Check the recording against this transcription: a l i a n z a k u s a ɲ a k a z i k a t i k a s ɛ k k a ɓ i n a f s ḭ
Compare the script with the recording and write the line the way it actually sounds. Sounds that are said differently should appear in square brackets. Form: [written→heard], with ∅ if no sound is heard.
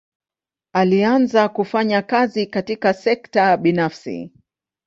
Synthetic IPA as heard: a l i a n z a k u [s→f] a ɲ a k a z i k a t i k a s ɛ k [k→t] a ɓ i n a f s ḭ